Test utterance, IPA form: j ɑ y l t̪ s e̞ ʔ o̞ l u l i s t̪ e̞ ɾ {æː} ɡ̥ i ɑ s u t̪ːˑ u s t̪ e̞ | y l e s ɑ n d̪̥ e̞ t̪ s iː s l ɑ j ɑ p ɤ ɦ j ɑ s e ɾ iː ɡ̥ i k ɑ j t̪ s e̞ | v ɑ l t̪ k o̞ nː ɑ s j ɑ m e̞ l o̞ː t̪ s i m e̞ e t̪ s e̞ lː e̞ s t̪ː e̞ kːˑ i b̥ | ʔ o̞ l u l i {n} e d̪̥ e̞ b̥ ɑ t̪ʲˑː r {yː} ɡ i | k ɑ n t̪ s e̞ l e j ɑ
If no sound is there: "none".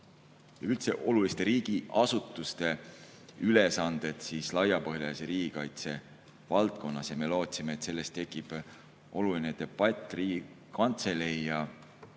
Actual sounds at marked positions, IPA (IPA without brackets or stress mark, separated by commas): iː, n, iː